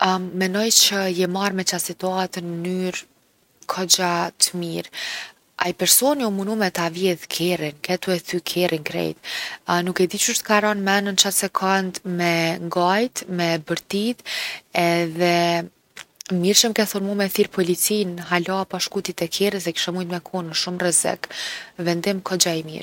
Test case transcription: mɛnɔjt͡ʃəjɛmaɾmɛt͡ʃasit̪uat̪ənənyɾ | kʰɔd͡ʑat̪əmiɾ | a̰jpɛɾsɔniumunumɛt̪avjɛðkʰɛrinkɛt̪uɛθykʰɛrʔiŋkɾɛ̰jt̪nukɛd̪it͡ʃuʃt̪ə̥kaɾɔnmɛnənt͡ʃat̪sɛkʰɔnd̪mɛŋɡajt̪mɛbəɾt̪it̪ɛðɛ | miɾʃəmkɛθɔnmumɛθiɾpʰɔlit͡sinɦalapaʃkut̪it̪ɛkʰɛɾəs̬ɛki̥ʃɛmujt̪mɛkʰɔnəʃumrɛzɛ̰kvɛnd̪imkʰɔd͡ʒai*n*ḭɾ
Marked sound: incorrect: m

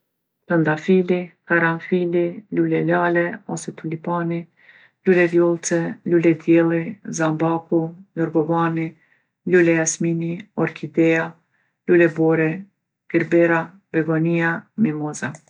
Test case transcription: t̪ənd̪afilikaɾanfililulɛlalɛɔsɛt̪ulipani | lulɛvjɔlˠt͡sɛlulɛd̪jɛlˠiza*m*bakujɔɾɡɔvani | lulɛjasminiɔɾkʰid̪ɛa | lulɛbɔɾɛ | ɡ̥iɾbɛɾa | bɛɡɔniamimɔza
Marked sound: correct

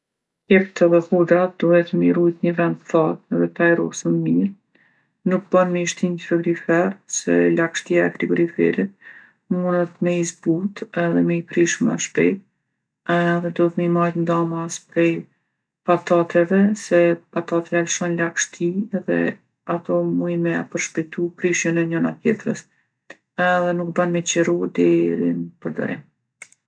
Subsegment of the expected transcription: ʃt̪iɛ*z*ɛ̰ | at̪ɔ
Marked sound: incorrect: ð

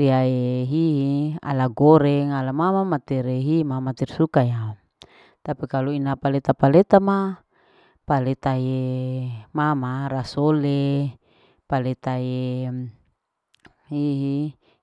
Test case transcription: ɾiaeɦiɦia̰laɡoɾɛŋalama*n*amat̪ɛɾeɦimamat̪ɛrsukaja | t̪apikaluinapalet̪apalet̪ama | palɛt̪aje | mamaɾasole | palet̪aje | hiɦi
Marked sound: incorrect: m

